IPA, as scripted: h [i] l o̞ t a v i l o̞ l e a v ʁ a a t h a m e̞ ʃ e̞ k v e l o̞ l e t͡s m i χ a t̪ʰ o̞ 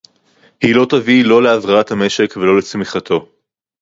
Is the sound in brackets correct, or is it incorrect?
correct